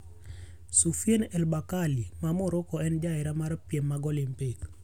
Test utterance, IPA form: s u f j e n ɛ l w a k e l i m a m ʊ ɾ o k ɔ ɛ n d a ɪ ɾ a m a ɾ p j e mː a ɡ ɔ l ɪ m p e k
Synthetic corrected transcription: s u f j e n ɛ l b a k a l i m a m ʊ ɾ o k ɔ ɛ n d͡ʒ a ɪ ɾ a m a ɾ p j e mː a ɡ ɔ l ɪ m p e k